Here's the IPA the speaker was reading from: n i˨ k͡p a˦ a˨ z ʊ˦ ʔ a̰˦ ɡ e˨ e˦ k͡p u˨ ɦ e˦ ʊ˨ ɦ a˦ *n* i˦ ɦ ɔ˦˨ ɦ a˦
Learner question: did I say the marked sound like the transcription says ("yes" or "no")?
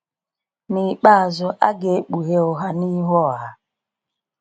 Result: yes